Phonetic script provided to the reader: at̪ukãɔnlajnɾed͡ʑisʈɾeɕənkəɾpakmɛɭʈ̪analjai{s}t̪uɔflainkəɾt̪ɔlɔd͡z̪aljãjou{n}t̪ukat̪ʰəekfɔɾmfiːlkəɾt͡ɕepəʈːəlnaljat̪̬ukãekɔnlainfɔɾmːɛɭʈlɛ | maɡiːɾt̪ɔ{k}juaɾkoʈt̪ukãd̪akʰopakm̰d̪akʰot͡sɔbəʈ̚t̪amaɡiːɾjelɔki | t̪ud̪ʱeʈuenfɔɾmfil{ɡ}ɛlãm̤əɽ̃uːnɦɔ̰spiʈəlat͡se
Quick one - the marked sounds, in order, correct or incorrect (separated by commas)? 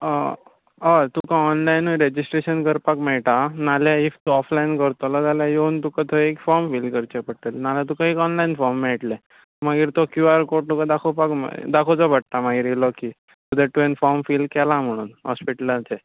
incorrect, correct, correct, incorrect